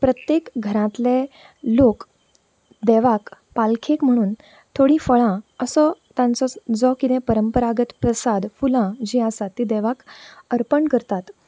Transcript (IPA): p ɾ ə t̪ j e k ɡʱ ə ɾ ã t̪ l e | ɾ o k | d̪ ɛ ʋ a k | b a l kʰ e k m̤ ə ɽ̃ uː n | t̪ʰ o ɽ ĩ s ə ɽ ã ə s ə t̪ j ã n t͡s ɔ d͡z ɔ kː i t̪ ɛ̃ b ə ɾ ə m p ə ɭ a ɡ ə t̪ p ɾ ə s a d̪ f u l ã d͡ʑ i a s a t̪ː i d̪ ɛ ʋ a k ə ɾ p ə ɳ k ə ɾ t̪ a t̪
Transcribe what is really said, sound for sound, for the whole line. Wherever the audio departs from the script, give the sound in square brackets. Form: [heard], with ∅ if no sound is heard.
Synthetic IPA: p ɾ ə t̪ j e k ɡʱ ə ɾ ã t̪ l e | [l] o k | d̪ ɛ ʋ a k | [p] a l kʰ e k m̤ ə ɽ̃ uː n | t̪ʰ o ɽ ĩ [f] ə [ɭ] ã ə s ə t̪ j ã n t͡s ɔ d͡z ɔ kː i t̪ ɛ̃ [p] ə ɾ ə m p ə [ɾ] a ɡ ə t̪ p ɾ ə s a d̪ f u l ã d͡ʑ i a s a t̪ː i d̪ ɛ ʋ a k ə ɾ p ə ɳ k ə ɾ t̪ a t̪